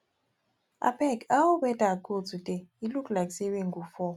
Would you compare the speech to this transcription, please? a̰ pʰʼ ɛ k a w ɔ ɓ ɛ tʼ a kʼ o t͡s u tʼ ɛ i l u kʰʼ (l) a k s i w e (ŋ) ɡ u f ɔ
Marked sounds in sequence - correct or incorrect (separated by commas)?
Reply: correct, correct